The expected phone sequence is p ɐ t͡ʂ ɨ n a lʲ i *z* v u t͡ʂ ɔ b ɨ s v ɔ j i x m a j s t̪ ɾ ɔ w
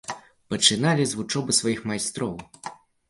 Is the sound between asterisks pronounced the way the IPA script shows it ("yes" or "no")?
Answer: yes